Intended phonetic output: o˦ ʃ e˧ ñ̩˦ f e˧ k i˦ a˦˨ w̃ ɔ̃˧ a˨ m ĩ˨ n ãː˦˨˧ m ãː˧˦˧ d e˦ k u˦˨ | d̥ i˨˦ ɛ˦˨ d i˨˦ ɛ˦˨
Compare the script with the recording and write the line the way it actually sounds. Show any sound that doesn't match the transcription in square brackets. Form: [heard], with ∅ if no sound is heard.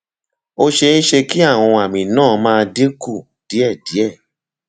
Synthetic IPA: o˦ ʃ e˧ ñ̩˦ [ʃ] e˧ k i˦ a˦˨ w̃ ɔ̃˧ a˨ m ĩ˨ n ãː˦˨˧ m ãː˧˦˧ d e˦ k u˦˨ | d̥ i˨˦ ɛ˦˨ d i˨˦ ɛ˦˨